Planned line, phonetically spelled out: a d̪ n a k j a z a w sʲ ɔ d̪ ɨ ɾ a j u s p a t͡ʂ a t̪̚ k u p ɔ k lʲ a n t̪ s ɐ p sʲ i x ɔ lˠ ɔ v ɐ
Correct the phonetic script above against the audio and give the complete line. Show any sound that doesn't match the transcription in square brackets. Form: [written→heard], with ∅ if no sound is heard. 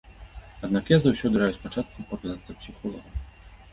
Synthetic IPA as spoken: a d̪ n a k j a z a w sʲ ɔ d̪ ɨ ɾ a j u s p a t͡ʂ a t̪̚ k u p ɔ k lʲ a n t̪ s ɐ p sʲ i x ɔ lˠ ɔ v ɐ